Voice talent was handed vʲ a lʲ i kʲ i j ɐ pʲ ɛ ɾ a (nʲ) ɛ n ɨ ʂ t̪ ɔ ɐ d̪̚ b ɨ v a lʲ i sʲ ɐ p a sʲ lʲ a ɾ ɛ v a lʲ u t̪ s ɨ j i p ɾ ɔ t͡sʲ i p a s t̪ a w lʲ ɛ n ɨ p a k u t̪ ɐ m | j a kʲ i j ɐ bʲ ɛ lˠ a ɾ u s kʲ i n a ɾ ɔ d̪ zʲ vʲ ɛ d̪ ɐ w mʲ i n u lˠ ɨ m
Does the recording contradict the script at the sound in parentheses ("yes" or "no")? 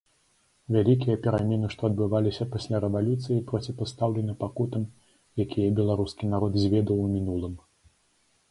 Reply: yes